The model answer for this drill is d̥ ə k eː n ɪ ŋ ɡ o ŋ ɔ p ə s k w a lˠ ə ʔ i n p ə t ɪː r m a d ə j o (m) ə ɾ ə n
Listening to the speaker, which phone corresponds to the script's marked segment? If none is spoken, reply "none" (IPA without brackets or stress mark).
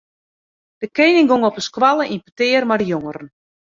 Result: ŋ